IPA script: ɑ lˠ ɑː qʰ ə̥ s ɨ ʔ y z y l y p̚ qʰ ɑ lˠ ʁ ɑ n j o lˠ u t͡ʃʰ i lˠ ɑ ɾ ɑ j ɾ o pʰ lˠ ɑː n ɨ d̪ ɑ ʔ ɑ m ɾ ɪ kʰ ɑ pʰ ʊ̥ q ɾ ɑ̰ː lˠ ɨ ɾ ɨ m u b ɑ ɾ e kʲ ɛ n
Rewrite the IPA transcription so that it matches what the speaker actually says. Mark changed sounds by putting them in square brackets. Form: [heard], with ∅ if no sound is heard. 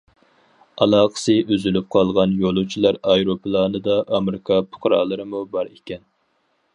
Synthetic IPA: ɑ lˠ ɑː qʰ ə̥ s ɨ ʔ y z y l y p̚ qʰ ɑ lˠ ʁ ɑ n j o lˠ u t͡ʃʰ i lˠ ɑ ɾ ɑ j ɾ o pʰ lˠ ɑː n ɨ d̪ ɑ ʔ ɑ m ɾ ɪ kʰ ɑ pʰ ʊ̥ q ɾ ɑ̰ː lˠ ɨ ɾ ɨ m u b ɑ ɾ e kʲ ɛ n